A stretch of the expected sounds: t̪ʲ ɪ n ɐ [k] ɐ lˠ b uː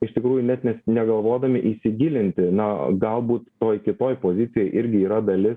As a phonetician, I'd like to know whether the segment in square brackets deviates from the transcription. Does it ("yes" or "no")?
yes